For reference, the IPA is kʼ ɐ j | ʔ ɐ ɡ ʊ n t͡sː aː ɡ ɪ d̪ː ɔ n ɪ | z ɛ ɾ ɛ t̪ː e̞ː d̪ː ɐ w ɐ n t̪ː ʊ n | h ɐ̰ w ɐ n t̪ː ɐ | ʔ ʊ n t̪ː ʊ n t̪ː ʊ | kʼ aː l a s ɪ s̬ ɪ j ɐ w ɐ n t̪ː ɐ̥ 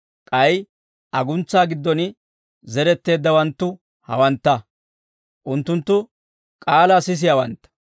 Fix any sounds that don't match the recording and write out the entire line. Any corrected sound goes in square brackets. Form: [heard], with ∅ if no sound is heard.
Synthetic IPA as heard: kʼ ɐ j | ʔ ɐ ɡ ʊ n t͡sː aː ɡ ɪ d̪ː ɔ n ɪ | z ɛ ɾ ɛ t̪ː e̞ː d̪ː ɐ w ɐ n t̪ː ʊ [∅] | h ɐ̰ w ɐ n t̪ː ɐ | ʔ ʊ n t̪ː ʊ n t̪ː ʊ | kʼ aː l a s ɪ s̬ ɪ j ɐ w ɐ n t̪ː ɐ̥